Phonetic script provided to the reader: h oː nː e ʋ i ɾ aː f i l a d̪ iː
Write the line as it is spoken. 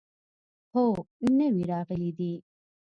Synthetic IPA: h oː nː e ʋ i ɾ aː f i l i d̪ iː